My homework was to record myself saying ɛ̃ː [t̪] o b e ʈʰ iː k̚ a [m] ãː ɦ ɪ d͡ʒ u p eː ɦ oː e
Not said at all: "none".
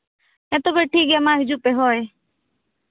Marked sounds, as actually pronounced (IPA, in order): t̪, m

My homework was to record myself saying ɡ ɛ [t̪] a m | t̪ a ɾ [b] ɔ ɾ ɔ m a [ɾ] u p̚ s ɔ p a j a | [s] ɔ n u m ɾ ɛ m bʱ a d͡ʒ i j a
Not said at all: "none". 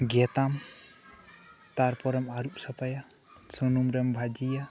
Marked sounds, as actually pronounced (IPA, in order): t̪, p, ɾ, s

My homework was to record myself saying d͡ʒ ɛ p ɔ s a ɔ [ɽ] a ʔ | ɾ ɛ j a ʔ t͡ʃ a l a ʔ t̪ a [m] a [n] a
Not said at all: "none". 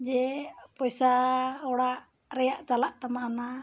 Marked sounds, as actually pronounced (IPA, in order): ɽ, m, n

